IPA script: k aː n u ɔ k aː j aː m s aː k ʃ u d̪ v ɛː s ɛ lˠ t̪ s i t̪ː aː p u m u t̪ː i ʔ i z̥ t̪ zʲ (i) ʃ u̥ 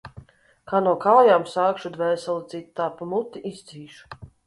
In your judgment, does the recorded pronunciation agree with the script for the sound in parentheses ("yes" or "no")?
no